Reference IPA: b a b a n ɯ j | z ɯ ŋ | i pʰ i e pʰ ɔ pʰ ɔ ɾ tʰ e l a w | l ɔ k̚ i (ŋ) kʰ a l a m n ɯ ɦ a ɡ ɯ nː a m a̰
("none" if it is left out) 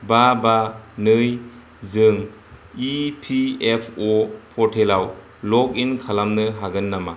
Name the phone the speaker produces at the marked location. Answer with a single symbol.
n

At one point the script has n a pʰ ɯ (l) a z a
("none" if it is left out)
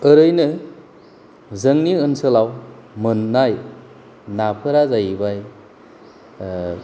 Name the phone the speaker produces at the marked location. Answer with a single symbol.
ɾ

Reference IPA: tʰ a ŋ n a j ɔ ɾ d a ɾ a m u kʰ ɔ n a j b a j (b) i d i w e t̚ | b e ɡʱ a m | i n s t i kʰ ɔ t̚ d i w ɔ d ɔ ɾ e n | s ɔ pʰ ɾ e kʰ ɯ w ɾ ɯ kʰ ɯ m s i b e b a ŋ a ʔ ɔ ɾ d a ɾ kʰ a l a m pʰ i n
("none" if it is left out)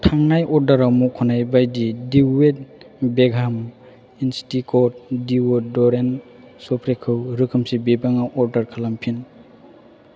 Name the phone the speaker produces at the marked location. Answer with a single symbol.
d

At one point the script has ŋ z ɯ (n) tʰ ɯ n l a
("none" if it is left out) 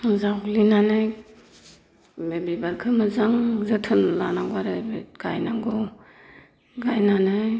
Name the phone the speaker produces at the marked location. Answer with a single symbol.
none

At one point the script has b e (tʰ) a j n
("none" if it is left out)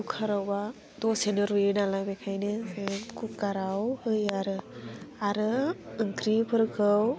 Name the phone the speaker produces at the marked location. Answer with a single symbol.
kʰ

